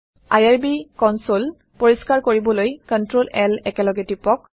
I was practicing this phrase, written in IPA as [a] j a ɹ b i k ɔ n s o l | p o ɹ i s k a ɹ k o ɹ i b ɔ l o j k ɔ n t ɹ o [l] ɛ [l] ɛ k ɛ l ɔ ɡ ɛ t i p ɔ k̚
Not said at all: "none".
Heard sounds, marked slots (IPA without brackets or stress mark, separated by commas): a, l, l